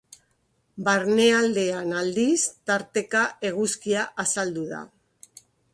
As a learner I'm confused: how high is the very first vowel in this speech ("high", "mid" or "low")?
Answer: low